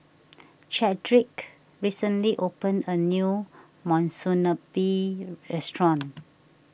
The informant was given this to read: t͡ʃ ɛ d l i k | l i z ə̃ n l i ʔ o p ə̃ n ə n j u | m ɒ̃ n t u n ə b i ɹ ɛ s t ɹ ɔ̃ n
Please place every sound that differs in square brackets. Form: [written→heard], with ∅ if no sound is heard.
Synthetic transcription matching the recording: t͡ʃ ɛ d [l→ɹ] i k | [l→ɹ] i [z→s] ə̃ n l i ʔ o p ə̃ n ə n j u | m [ɒ̃→ɔ̃] n [t→s] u n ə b i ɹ ɛ s t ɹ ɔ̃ n

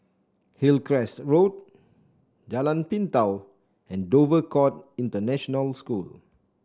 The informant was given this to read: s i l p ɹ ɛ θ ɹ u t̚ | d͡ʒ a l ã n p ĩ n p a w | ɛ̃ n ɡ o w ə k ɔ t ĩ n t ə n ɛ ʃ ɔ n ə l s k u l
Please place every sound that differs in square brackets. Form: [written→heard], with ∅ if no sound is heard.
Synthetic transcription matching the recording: [s→h] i l [p→k] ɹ ɛ [θ→s] ɹ [u→o] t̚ | d͡ʒ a l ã n p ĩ n [p→t] a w | ɛ̃ n [ɡ→d] o [w→v] ə k ɔ t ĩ n t ə n ɛ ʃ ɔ n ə l s k u l

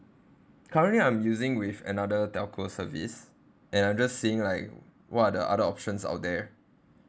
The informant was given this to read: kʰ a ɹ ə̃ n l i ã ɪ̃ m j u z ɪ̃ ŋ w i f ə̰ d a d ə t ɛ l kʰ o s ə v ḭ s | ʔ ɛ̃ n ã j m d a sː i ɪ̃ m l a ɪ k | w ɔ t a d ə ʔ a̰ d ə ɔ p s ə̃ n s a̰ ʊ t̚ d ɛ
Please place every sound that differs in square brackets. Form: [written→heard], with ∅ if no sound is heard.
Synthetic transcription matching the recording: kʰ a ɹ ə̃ n l i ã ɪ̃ m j u z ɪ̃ ŋ w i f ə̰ [d→n] a d ə t ɛ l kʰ o s ə v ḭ s | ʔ ɛ̃ n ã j m [d→d͡ʒ] a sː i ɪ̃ [m→ŋ] l a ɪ k | w ɔ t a d ə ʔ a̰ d ə ɔ p [s→ʃ] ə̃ n s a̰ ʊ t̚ d ɛ

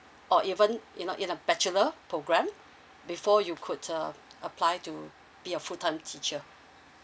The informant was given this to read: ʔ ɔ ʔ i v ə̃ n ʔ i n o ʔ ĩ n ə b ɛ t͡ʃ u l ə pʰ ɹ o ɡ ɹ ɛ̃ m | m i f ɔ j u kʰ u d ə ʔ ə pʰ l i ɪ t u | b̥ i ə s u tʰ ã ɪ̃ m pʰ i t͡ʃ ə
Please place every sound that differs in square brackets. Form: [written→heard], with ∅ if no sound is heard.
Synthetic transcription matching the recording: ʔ ɔ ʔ i v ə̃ n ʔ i n o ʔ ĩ n ə b ɛ t͡ʃ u l ə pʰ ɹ o ɡ ɹ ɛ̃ m | [m→b] i f ɔ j u kʰ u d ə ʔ ə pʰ l [i→a] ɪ t u | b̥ i ə [s→f] u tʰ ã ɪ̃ m [pʰ→tʰ] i t͡ʃ ə

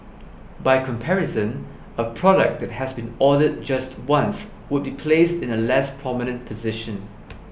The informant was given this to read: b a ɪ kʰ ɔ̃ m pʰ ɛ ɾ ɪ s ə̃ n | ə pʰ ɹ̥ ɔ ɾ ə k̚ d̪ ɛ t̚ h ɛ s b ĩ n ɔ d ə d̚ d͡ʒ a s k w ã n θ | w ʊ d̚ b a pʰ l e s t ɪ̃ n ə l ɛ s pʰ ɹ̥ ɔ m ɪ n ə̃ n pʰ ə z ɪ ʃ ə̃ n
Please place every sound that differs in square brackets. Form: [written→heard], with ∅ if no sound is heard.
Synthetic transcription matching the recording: b a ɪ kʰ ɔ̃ m pʰ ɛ [ɾ→ɹ] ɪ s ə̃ n | ə pʰ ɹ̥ ɔ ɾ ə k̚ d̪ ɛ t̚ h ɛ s b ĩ n ɔ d ə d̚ d͡ʒ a s [k→t] w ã n [θ→s] | w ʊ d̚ b [a→i] pʰ l e s t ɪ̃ n ə l ɛ s pʰ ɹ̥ ɔ m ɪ n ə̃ n pʰ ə z ɪ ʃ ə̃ n

